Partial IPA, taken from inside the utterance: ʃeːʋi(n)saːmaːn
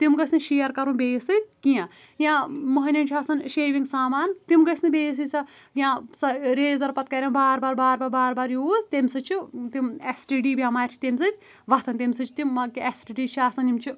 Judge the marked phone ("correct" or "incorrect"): incorrect